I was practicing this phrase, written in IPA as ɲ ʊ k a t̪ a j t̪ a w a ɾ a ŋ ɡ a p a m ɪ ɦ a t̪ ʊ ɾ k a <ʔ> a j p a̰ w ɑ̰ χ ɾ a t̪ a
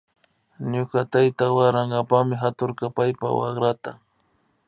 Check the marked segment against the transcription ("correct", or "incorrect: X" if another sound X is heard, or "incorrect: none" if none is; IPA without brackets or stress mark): incorrect: p